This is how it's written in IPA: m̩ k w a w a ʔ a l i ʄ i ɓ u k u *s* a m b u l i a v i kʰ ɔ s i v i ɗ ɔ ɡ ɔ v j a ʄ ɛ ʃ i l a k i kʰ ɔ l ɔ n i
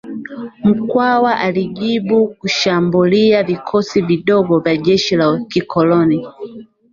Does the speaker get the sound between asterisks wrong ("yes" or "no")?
yes